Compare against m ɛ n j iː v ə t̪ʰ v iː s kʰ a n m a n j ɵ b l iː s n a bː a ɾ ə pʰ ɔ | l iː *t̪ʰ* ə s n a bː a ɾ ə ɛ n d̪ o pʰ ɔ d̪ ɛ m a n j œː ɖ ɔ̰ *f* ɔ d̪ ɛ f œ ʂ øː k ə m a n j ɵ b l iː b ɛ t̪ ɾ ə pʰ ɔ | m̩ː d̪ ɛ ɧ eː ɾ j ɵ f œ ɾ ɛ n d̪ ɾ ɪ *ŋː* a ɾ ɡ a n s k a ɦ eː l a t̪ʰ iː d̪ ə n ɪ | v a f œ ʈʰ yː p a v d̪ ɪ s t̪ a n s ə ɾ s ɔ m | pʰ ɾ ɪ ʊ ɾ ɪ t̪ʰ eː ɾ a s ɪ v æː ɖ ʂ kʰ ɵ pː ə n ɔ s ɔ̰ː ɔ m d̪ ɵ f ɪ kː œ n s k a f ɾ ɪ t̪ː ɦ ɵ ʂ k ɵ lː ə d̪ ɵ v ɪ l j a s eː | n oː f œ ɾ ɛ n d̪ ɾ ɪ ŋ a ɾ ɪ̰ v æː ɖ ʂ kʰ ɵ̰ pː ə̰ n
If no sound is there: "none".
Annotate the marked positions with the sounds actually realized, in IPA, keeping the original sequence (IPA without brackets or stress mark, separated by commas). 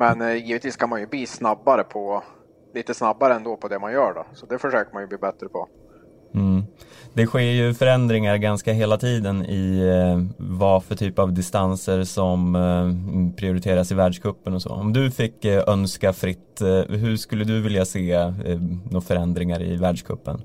t̪, s, ŋ